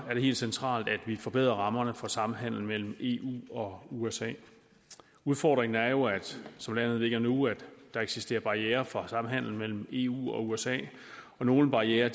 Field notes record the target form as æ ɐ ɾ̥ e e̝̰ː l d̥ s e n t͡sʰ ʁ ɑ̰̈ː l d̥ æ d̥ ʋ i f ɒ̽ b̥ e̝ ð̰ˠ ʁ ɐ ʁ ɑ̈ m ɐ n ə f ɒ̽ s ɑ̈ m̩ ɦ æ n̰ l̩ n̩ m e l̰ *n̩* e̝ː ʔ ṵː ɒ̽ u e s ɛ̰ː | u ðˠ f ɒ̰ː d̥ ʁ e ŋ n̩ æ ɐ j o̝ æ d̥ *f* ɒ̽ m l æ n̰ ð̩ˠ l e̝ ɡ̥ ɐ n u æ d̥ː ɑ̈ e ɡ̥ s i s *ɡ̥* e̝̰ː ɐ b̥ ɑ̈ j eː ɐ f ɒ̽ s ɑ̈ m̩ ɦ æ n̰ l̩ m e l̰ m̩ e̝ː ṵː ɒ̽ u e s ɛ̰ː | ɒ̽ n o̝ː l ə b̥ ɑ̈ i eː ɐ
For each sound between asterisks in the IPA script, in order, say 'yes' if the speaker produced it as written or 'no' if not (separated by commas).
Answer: no, no, no